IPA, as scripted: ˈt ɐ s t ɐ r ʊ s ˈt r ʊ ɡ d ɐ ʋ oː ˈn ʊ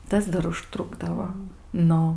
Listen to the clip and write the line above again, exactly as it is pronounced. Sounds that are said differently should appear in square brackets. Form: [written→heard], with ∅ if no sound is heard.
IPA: ˈt ɐ s [t→d] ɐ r ʊ [s→ʃ] ˈt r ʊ ɡ d ɐ ʋ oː ˈn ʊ